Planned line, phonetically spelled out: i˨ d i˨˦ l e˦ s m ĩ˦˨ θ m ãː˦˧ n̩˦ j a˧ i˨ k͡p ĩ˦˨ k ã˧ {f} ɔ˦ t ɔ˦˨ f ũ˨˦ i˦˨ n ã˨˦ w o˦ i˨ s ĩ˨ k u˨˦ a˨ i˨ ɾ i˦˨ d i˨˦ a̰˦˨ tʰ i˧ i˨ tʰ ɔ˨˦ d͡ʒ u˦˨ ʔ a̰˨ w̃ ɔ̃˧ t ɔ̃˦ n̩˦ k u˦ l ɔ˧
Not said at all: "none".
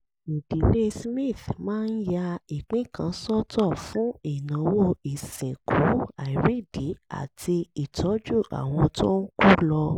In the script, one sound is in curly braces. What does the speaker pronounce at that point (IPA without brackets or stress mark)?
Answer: s